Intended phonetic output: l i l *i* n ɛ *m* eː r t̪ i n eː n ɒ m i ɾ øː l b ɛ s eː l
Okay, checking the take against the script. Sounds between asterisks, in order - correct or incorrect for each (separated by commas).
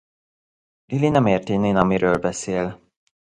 correct, correct